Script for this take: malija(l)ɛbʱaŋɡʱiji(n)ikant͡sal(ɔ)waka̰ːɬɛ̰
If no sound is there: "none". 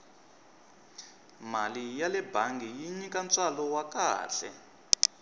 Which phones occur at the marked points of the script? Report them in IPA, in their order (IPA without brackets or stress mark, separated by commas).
l, ɲ, ɔ